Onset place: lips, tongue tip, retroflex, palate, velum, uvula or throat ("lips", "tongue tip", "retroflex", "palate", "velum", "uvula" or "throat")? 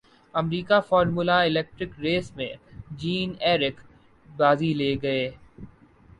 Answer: lips